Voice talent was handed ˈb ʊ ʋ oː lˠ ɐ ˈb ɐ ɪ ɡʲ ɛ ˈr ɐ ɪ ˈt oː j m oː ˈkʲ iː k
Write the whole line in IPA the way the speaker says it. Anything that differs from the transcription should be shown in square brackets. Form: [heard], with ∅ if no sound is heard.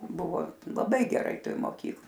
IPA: ˈb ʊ ʋ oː lˠ ɐ ˈb ɐ ɪ ɡʲ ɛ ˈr ɐ ɪ ˈt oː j m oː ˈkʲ iː k